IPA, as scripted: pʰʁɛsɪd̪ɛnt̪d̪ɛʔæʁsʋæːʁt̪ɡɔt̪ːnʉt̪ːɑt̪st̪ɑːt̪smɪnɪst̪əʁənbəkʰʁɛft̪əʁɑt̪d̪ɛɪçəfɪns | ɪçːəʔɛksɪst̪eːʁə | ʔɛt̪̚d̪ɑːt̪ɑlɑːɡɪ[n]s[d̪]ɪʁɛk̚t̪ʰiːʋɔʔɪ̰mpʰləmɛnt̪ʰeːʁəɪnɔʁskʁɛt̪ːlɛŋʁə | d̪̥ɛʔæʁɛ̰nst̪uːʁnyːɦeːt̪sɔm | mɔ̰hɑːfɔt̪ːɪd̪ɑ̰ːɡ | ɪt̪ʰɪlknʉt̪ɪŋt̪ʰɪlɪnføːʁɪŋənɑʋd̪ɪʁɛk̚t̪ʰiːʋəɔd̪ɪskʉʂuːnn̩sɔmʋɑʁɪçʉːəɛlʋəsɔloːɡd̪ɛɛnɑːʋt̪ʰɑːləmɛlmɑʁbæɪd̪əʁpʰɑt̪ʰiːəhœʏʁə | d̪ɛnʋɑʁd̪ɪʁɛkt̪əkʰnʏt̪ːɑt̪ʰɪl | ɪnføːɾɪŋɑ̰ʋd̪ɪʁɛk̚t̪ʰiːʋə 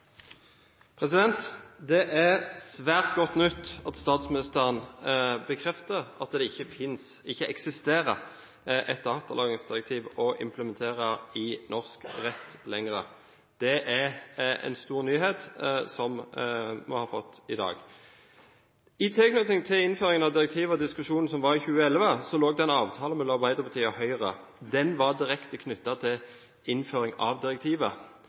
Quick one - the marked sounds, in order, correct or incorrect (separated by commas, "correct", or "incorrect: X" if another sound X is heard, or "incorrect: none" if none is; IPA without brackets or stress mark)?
incorrect: ŋ, correct